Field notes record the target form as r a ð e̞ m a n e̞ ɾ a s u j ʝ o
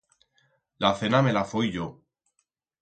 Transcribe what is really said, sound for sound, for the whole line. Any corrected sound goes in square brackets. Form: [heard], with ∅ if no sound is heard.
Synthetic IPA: [l] a [θ] e̞ [n] a [m] e̞ [l] a [f] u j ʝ o